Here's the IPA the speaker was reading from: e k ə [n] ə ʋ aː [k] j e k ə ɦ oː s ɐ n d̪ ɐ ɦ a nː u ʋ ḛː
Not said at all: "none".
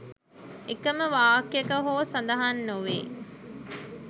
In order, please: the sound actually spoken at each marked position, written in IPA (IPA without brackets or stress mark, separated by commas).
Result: m, k